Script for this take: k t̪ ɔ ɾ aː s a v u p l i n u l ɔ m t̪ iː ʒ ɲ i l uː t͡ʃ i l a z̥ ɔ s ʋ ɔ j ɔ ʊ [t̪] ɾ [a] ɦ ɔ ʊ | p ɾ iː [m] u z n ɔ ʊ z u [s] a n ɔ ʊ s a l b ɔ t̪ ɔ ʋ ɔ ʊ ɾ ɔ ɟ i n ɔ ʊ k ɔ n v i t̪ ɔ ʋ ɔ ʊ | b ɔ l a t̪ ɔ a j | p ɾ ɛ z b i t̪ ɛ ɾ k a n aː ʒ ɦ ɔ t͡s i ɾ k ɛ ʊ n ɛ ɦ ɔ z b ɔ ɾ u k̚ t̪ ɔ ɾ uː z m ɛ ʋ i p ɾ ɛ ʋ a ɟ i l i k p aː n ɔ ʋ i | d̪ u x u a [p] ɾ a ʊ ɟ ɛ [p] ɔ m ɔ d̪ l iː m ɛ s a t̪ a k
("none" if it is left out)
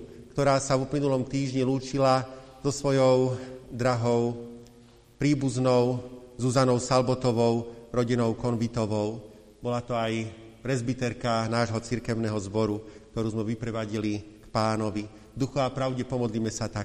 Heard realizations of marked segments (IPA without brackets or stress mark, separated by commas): d̪, a, b, z, p, p